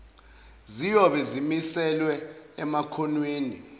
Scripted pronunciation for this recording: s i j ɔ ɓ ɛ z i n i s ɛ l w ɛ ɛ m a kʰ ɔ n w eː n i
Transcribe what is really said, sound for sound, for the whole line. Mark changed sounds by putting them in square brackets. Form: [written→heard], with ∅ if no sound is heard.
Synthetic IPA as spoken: [s→z] i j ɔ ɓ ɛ z i [n→m] i s ɛ l w ɛ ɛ m a kʰ ɔ n w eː n i